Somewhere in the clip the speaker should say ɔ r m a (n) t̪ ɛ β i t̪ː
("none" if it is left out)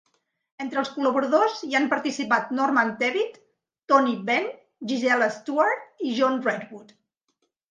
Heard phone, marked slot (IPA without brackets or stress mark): n